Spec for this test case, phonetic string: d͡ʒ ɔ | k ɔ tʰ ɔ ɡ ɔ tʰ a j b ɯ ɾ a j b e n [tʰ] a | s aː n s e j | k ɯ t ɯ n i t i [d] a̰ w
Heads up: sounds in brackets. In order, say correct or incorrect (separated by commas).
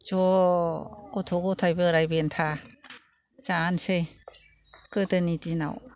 correct, incorrect